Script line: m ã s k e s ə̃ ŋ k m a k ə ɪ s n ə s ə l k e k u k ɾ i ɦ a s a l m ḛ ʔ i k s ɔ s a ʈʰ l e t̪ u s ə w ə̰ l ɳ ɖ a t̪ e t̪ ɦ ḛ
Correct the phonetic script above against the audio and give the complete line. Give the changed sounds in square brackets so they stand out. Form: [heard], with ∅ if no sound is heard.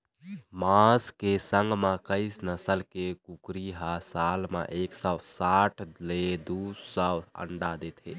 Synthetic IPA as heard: m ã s k e s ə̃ ŋ [ɡ] m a k ə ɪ s n ə s ə l k e k u k ɾ i ɦ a s a l m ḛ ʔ [e] k s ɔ s a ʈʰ l e [d̪] u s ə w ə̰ [∅] ɳ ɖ a [d̪] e t̪ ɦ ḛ